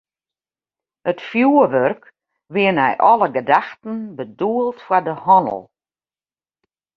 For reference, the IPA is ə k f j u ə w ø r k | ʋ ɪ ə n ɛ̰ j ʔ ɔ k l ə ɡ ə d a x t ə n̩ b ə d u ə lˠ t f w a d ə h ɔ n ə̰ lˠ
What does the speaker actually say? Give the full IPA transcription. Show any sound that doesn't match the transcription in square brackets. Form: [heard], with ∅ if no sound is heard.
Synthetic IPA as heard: ə [t] f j u ə [ʋ] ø r k | ʋ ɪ ə n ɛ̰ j ʔ ɔ [∅] l ə ɡ ə d a x t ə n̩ b ə d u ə lˠ t f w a d ə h ɔ n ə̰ lˠ